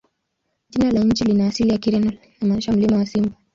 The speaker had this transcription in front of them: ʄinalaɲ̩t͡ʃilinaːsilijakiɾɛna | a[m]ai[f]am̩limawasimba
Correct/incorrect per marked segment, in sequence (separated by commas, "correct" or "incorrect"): correct, incorrect